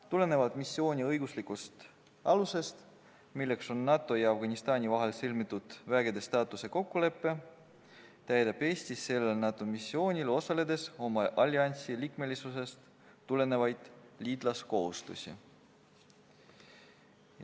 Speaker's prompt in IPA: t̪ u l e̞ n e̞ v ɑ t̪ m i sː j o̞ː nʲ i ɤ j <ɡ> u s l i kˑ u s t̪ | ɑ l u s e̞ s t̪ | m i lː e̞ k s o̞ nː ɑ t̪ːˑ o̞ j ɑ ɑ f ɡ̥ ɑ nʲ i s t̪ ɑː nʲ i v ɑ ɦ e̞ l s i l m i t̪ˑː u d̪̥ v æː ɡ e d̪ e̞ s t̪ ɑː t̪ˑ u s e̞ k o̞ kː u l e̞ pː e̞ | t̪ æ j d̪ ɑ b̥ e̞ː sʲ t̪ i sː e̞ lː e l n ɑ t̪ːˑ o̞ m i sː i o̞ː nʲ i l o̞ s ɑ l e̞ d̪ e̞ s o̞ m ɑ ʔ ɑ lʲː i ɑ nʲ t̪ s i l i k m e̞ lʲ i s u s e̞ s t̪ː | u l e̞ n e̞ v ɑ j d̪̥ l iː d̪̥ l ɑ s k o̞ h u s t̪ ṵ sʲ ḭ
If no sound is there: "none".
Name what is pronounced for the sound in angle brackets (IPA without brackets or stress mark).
ɡ